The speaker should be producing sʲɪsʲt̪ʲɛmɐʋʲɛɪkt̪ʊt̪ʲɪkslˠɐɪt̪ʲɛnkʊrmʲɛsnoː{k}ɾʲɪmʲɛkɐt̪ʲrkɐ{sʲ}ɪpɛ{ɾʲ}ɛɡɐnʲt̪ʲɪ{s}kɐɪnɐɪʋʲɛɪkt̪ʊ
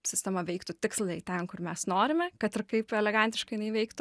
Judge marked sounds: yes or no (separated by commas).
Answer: no, no, no, no